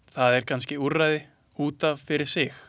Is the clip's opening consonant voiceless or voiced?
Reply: voiceless